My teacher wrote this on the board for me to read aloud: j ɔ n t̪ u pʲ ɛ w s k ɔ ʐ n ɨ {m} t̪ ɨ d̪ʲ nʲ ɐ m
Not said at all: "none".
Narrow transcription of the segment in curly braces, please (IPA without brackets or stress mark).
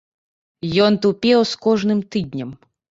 m